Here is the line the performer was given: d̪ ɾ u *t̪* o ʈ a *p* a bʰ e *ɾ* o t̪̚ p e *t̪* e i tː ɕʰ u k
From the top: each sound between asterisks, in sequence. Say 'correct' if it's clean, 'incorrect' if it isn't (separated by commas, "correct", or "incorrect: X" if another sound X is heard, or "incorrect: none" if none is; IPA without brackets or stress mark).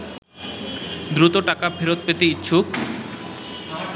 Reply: correct, incorrect: k, correct, correct